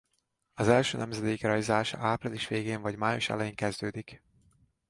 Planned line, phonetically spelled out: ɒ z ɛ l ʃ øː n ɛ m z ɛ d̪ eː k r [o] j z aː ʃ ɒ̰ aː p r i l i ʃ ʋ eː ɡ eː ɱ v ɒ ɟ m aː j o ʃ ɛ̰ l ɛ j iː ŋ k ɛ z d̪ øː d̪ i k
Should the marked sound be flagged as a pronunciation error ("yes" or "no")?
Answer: yes